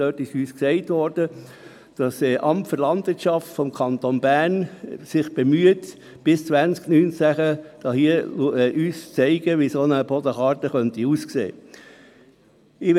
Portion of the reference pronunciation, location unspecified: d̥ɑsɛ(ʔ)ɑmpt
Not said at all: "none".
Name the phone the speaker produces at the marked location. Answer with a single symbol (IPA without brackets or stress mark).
ʔ